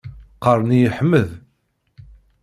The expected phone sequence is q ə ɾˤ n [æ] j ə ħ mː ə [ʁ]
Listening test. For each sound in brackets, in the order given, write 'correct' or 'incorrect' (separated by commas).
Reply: incorrect, incorrect